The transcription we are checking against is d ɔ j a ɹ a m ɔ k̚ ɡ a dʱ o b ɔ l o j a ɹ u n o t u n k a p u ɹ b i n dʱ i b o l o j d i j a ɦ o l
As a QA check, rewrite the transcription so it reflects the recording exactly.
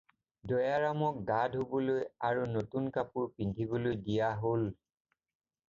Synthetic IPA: d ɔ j a ɹ a m ɔ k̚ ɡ a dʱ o b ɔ l o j a ɹ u n o t u n k a p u ɹ p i n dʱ i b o l o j d i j a ɦ o l